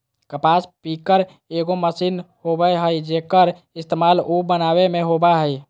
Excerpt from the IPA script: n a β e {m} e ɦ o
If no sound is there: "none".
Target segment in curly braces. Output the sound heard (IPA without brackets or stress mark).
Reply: m